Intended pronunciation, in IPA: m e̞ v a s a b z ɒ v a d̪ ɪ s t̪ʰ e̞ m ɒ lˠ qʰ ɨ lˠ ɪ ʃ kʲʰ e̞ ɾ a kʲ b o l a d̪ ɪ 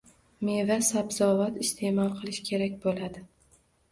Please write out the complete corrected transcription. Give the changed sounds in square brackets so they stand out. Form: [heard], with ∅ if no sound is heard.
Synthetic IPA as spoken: m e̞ v a s a b z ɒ v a [t̪] ɪ s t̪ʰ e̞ m ɒ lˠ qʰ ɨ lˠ ɪ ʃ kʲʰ e̞ ɾ a kʲ b o l a d̪ ɪ